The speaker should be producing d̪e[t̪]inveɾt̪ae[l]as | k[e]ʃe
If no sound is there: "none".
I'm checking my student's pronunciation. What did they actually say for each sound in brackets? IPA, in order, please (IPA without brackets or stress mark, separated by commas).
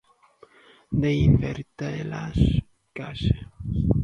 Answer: none, l, a